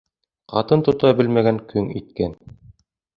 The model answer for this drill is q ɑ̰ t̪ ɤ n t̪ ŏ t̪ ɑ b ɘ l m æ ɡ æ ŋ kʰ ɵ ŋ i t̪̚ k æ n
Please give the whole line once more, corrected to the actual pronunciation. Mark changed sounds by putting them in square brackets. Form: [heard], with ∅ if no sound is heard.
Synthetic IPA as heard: q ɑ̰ t̪ ɤ n t̪ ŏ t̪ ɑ b ɘ l m æ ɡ æ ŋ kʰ ɵ ŋ i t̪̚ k æ n